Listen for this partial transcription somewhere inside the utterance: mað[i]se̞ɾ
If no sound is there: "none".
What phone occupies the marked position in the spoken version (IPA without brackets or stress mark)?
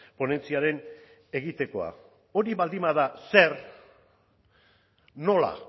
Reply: a